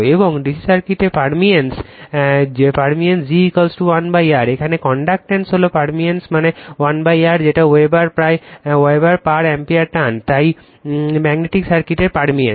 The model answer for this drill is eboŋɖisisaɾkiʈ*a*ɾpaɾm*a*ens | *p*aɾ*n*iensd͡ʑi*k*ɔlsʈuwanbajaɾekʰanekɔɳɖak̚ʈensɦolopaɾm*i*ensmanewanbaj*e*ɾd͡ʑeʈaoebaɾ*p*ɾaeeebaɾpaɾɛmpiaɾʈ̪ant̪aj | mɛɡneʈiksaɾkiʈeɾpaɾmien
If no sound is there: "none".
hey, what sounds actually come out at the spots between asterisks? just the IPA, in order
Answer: e, i, p, m, k, i, a, p

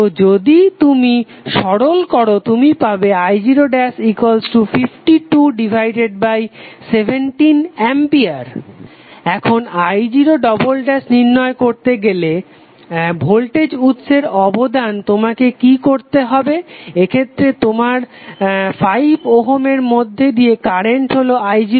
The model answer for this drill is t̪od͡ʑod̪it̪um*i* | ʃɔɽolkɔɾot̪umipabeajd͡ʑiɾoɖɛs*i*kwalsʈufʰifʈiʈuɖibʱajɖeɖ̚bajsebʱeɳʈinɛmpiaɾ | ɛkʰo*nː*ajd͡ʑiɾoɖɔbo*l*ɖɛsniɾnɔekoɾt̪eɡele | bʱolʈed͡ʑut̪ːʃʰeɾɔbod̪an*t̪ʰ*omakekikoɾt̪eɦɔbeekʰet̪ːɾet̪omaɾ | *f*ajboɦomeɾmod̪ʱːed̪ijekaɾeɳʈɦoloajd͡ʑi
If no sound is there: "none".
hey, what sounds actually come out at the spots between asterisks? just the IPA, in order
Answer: i, i, n, l, t̪, f

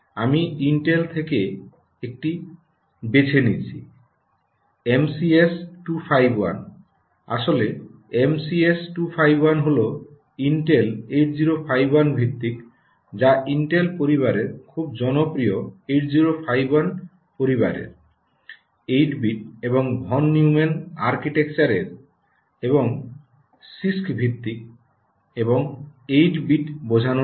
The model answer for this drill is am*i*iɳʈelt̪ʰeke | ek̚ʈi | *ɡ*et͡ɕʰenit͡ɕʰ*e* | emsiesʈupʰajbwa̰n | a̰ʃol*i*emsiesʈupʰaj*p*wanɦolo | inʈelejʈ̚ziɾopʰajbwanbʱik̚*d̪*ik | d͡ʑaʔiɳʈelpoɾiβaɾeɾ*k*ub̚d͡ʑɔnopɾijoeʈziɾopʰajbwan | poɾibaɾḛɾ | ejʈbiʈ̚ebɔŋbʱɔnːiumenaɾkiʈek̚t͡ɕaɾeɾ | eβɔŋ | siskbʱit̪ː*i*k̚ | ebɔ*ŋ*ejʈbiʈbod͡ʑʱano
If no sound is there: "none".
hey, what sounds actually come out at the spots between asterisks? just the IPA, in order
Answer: i, b, i, e, b, t̪, kʰ, i, ŋ

